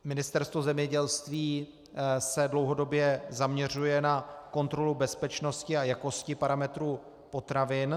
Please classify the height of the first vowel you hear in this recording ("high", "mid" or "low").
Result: high